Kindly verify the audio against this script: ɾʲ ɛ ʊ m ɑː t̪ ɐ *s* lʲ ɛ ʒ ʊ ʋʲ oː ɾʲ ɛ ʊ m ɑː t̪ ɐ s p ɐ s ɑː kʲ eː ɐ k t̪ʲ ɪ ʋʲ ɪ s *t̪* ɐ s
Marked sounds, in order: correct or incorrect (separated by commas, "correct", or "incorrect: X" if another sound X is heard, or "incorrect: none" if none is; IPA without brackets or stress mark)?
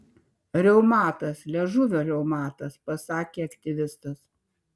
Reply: correct, correct